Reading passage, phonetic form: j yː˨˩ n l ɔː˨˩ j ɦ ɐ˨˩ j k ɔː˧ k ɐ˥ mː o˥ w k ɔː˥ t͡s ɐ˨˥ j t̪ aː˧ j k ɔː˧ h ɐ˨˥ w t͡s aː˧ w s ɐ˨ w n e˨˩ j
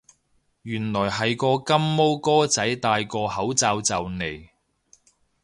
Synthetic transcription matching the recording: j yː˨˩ n l ɔː˨˩ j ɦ ɐ˨˩ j k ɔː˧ k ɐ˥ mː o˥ w k ɔː˥ t͡s ɐ˨˥ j t̪ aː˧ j k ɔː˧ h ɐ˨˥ w t͡s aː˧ w t͡s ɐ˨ w n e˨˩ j